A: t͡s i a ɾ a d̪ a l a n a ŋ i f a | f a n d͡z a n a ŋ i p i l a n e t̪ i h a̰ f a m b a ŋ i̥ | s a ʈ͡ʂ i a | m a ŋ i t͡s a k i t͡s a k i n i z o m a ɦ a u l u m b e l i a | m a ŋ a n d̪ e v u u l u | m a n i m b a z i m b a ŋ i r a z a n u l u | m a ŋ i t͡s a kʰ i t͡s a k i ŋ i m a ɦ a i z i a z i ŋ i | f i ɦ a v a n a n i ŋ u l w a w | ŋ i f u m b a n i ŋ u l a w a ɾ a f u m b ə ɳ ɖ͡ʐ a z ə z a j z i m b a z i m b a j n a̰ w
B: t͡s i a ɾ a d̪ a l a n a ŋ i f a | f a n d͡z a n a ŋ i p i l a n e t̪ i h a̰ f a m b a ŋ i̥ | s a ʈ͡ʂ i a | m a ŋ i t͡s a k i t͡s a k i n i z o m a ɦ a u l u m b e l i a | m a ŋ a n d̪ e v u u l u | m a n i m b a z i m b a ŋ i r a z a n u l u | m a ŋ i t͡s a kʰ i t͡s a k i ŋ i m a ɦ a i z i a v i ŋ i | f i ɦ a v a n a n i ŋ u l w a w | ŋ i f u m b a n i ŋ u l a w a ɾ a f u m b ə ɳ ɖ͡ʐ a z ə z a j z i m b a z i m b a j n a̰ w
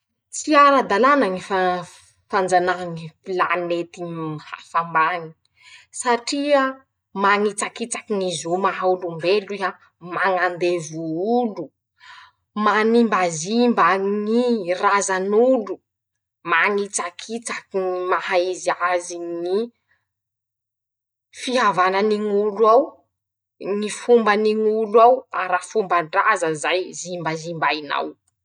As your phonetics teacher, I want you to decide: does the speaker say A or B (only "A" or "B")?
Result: A